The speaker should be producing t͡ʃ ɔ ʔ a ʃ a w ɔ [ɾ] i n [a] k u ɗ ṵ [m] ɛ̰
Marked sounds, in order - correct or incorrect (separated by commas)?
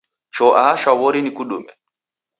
correct, incorrect, correct